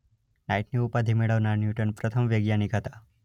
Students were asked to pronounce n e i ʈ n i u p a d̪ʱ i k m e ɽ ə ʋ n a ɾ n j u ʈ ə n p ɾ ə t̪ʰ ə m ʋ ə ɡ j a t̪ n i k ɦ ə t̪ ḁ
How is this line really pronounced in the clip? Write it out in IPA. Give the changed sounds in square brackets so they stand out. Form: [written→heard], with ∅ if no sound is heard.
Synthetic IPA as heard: n [e→a] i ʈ n i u p a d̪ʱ i [k→∅] m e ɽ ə ʋ n a ɾ n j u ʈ ə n p ɾ ə t̪ʰ ə m ʋ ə ɡ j a [t̪→∅] n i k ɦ ə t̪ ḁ